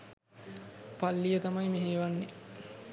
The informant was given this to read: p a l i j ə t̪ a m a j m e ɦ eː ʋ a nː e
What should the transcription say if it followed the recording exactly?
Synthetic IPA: p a lː i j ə t̪ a m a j m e ɦ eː ʋ a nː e